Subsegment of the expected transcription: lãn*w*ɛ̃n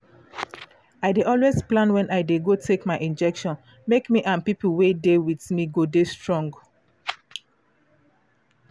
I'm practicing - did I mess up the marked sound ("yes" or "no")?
no